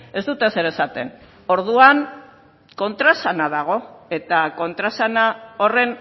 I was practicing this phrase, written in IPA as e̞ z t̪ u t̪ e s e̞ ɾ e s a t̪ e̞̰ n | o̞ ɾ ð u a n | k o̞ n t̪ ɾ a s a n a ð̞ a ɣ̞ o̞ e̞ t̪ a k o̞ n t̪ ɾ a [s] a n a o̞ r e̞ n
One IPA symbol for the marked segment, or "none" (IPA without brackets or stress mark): s